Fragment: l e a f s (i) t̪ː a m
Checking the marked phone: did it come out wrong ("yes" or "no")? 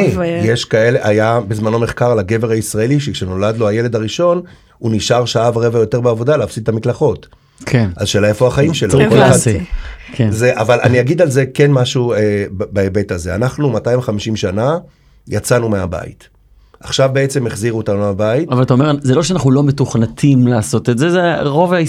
no